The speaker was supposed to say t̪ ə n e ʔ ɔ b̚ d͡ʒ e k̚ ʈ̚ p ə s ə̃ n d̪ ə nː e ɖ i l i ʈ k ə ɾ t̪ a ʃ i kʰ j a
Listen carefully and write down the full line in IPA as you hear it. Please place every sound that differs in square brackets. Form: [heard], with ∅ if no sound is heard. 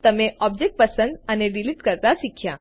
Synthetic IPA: t̪ ə [m] e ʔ ɔ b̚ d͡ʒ e k̚ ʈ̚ p ə s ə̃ n d̪ ə [n] e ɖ i l i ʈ k ə ɾ t̪ a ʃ i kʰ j a